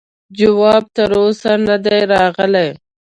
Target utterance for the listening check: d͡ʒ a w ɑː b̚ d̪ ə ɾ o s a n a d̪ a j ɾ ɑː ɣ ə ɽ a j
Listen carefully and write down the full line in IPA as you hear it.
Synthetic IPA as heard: d͡ʒ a w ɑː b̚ t̪ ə ɾ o s a n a d̪ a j ɾ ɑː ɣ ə l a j